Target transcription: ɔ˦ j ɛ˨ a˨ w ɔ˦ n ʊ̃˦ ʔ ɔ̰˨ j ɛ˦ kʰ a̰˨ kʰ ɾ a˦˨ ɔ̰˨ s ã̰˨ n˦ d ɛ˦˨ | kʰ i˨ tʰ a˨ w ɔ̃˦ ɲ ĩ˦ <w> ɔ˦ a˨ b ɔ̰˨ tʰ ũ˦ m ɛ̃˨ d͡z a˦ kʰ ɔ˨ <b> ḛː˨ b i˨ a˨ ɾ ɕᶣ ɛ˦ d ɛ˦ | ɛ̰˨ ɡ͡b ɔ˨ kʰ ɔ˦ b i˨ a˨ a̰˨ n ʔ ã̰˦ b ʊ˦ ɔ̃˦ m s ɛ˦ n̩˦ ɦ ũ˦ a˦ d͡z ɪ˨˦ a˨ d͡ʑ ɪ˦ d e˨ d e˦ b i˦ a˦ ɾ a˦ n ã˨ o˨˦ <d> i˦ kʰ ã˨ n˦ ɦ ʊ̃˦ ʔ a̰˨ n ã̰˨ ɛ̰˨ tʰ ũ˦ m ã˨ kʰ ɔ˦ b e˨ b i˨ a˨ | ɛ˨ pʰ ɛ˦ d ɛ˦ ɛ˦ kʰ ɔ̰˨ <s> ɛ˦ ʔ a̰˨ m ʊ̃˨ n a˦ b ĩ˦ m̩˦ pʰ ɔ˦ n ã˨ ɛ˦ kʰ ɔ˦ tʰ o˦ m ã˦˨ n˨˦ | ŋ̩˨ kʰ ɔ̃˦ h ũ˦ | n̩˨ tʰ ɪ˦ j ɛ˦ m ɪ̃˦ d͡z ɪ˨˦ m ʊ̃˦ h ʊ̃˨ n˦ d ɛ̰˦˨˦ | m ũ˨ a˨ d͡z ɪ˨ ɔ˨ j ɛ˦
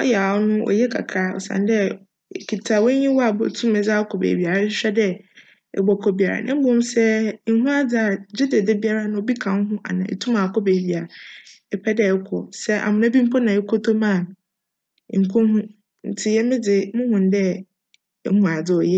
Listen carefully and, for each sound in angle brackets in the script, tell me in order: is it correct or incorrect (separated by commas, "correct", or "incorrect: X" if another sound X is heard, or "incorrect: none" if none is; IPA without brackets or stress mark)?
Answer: correct, correct, incorrect: b, correct